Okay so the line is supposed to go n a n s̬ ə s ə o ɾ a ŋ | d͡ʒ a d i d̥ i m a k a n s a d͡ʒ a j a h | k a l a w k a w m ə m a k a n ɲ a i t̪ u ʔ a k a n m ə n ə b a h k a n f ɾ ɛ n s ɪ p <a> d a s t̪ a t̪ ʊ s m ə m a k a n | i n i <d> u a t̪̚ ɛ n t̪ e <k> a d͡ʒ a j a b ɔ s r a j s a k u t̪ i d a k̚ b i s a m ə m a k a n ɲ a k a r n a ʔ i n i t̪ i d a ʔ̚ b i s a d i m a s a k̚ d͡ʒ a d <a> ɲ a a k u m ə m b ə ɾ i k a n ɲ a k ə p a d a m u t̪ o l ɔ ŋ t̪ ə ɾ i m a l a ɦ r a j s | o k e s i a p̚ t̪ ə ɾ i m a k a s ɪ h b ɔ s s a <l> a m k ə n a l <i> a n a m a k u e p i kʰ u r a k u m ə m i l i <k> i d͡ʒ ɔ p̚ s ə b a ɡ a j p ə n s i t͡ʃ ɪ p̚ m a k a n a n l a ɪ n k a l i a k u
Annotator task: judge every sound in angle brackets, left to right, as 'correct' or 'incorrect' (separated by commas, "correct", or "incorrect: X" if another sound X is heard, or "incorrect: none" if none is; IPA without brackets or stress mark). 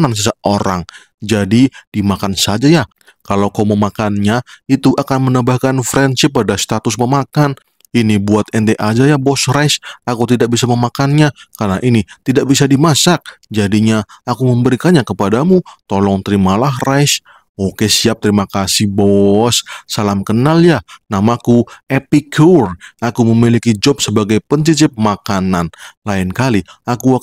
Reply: correct, incorrect: b, incorrect: ʔ, incorrect: i, correct, incorrect: j, correct